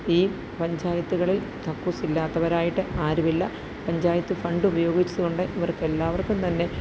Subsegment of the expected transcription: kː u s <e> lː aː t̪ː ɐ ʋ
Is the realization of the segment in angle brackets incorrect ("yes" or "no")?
yes